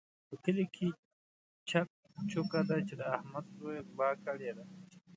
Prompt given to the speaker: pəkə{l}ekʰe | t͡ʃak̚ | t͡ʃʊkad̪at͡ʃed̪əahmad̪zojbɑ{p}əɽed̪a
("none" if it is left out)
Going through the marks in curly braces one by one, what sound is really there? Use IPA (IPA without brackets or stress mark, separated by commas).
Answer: l, k